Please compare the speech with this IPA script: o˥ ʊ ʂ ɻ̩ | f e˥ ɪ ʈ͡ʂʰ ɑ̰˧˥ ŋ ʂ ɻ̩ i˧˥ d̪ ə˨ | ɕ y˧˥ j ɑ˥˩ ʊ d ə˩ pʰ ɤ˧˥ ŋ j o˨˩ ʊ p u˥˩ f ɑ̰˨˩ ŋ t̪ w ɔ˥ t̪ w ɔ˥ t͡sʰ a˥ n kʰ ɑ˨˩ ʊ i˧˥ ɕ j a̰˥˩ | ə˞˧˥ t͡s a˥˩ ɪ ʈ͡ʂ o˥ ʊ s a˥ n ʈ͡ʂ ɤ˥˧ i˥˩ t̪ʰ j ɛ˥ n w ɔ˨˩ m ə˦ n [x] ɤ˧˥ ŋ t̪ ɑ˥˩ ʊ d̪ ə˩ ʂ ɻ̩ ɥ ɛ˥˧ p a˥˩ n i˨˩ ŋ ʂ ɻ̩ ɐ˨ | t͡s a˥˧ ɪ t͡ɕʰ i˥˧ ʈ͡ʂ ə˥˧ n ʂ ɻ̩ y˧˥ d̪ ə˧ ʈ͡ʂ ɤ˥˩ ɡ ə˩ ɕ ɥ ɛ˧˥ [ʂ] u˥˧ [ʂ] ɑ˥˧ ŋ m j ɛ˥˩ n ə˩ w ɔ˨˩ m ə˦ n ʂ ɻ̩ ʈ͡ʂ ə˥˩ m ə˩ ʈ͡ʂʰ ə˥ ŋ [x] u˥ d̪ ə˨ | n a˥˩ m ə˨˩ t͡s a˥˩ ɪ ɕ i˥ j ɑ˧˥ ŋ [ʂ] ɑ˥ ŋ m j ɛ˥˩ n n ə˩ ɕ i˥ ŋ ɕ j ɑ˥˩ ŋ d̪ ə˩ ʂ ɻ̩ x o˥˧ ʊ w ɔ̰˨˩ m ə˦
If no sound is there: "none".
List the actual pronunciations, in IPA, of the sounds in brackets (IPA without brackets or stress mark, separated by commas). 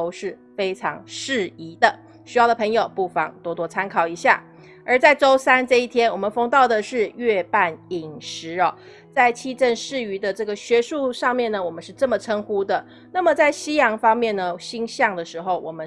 f, ʂ, ʂ, x, f